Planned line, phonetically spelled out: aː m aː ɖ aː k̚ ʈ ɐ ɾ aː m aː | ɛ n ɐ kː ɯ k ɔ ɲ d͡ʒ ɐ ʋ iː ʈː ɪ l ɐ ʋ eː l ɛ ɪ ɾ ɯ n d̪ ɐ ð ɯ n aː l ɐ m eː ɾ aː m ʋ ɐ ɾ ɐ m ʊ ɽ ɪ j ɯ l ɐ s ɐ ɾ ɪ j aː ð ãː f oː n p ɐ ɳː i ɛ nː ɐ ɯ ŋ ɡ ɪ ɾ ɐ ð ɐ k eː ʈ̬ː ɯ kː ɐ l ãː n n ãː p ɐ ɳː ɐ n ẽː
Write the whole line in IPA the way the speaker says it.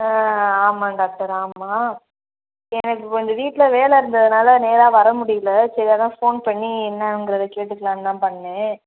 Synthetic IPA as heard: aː m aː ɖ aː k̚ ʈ ɐ ɾ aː m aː | ɛ n ɐ kː ɯ k ɔ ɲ d͡ʒ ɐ ʋ iː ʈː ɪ l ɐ ʋ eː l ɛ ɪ ɾ ɯ n d̪ ɐ ð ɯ n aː l ɐ n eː ɾ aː ʋ ɐ ɾ ɐ m ʊ ɽ ɪ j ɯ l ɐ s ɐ ɾ ɪ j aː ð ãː f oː n p ɐ ɳː i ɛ nː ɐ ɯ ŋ ɡ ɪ ɾ ɐ ð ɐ k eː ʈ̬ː ɯ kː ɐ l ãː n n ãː p ɐ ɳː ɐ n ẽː